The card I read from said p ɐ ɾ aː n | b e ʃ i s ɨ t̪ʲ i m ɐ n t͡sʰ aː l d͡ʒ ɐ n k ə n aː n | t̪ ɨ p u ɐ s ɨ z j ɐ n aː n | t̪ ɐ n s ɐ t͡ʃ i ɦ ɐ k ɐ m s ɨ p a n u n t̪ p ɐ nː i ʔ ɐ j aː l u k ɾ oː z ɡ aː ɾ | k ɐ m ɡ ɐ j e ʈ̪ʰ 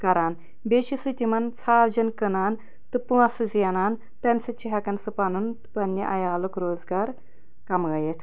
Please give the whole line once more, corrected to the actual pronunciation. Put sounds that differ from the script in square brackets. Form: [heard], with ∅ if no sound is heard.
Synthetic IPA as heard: [k] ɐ ɾ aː n | b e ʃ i s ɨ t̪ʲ i m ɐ n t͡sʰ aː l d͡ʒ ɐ n k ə n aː n | t̪ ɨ p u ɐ s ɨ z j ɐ n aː n | t̪ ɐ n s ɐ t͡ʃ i ɦ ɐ k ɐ [n] s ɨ p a n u n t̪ p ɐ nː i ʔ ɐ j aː l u k ɾ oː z ɡ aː ɾ | k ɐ m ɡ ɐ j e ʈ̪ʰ